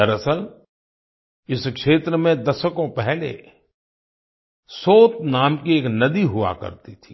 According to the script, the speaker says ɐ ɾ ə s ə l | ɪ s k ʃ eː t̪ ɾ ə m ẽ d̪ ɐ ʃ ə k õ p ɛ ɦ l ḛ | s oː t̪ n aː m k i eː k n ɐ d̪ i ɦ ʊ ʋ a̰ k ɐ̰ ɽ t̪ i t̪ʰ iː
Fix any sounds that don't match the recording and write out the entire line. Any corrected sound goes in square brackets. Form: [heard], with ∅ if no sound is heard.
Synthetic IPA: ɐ ɾ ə s ə l | ɪ s k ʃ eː t̪ ɾ ə m ẽ d̪ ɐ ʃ ə k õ p ɛ ɦ l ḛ | s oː t̪ n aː m k i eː k n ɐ d̪ i ɦ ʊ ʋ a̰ k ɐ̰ [ɾ] t̪ i t̪ʰ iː

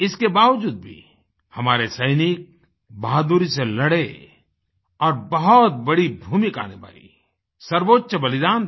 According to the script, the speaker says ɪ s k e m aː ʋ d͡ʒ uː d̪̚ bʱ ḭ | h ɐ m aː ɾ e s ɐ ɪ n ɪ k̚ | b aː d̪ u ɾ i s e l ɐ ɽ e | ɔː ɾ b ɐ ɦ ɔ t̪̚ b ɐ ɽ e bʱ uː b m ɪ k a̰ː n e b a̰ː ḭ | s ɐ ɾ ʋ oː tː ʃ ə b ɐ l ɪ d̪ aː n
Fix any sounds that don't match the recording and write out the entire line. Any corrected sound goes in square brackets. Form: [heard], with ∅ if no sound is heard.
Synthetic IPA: ɪ s k e [b] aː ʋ d͡ʒ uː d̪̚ bʱ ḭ | h ɐ m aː ɾ e s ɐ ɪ n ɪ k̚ | b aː d̪ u ɾ i s e l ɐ ɽ e | ɔː ɾ b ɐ ɦ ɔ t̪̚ b ɐ ɽ [i] bʱ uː [∅] m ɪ k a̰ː n e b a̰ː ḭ | s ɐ ɾ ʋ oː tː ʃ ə b ɐ l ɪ d̪ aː n

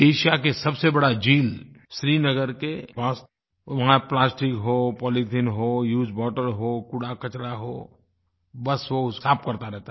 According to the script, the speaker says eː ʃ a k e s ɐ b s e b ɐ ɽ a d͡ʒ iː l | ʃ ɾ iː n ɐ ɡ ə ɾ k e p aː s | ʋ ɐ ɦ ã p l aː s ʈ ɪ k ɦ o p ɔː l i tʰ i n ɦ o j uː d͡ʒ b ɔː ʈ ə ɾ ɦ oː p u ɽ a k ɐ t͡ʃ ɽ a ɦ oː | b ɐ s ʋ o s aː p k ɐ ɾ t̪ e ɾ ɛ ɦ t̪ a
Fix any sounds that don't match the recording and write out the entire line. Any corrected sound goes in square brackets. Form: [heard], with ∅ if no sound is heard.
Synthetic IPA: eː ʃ a k e s ɐ b s e b ɐ ɽ a d͡ʒ iː l | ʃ ɾ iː n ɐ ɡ ə ɾ k e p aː s | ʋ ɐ ɦ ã p l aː s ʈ ɪ k ɦ o p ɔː l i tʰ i n ɦ o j uː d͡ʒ b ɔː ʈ ə ɾ ɦ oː [k] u ɽ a k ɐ t͡ʃ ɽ a ɦ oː | b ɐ s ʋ o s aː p k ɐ ɾ t̪ [a] ɾ ɛ ɦ t̪ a

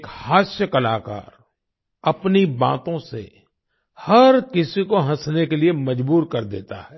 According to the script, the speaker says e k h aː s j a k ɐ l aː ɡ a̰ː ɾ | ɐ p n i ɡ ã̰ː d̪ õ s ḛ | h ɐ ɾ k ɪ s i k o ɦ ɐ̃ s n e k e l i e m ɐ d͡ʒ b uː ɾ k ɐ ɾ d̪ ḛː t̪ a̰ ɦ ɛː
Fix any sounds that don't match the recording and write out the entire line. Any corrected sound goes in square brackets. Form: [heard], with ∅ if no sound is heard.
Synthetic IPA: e k h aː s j [ə] k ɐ l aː [k] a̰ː ɾ | ɐ p n i [b] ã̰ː [t̪] õ s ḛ | h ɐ ɾ k ɪ s i k o ɦ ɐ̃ s n e k e l i e m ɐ d͡ʒ b uː ɾ k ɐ ɾ d̪ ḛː t̪ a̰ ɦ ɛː

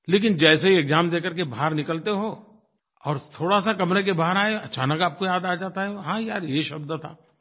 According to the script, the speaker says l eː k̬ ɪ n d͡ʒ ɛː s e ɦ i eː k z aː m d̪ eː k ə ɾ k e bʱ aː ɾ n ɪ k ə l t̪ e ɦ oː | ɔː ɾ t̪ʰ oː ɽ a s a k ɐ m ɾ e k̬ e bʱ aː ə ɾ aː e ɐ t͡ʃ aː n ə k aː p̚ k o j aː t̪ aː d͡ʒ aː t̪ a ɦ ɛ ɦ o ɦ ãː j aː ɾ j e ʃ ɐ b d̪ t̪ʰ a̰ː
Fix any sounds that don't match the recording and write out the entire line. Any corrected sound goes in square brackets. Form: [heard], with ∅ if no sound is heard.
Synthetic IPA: l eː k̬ ɪ n d͡ʒ ɛː s e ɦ i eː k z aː m d̪ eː k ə ɾ k e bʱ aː ɾ n ɪ k ə l t̪ e ɦ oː | ɔː ɾ t̪ʰ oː ɽ a s a k ɐ m ɾ e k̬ e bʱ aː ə ɾ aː e ɐ t͡ʃ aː n ə k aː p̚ k o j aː [d̪] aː d͡ʒ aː t̪ a ɦ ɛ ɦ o ɦ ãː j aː ɾ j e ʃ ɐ b d̪ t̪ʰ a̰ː

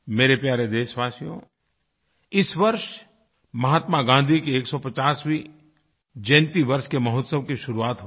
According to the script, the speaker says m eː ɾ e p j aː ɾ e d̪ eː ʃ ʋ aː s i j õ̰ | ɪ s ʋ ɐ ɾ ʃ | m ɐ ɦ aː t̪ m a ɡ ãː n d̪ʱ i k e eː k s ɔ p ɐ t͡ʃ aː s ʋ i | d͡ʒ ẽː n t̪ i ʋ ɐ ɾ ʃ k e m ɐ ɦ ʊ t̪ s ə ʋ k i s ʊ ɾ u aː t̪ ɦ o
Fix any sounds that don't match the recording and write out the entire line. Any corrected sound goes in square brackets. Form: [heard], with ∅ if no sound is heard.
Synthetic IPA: m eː ɾ e p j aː ɾ e d̪ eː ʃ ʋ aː s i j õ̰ | ɪ s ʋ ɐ ɾ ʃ | m ɐ ɦ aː t̪ m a ɡ ãː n d̪ʱ i k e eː k s ɔ p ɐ t͡ʃ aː s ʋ i | d͡ʒ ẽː n t̪ i ʋ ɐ ɾ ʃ k e m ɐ ɦ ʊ t̪ s ə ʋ k i [ʃ] ʊ ɾ u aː t̪ ɦ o

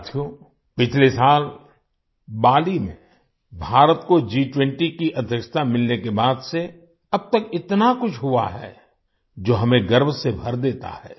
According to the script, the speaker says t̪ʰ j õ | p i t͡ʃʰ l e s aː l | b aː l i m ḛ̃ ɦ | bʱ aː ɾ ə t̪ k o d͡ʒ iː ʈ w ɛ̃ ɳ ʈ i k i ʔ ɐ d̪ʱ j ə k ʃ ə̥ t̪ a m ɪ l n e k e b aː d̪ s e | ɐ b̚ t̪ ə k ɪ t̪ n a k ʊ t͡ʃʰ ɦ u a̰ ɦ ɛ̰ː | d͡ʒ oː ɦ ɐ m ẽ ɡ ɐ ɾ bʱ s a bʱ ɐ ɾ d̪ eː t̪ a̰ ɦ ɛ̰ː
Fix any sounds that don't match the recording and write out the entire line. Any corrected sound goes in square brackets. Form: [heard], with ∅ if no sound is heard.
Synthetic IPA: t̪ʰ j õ | p [ɪ] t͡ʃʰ l e s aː l | b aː l i m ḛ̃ [∅] | bʱ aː ɾ ə t̪ k o d͡ʒ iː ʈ w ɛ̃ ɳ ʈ i k i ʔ ɐ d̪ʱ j ə k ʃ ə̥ t̪ a m ɪ l n e k e b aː d̪ s e | ɐ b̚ t̪ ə k ɪ t̪ n a k ʊ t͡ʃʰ ɦ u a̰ ɦ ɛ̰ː | d͡ʒ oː ɦ ɐ m ẽ ɡ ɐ ɾ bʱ s [e] bʱ ɐ ɾ d̪ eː t̪ a̰ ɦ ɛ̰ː

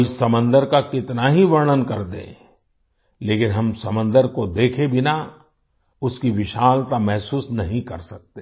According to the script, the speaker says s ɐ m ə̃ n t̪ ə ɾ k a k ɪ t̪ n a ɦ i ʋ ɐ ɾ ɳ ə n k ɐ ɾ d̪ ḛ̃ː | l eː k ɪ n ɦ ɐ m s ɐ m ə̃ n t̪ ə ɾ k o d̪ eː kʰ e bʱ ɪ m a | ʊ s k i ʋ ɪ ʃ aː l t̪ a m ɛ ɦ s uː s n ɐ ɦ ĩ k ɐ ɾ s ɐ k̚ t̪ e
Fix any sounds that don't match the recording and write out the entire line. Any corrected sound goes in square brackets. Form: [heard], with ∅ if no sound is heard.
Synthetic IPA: s ɐ m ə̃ n [d̪] ə ɾ k a k ɪ t̪ n a ɦ i ʋ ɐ ɾ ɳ ə n k ɐ ɾ d̪ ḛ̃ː | l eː k ɪ n ɦ ɐ m s ɐ m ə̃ n [d̪] ə ɾ k o d̪ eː kʰ e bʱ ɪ [n] a | ʊ s k i ʋ ɪ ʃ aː l t̪ a m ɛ ɦ s uː s n ɐ ɦ ĩ k ɐ ɾ s ɐ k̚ t̪ e

